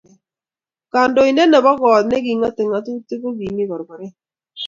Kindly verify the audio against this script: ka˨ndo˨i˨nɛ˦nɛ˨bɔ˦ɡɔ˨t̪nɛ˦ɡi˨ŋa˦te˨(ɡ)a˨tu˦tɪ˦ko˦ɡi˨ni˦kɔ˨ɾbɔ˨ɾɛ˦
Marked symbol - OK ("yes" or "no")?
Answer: no